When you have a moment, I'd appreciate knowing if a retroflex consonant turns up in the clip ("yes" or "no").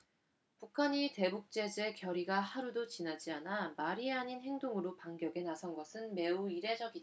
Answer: no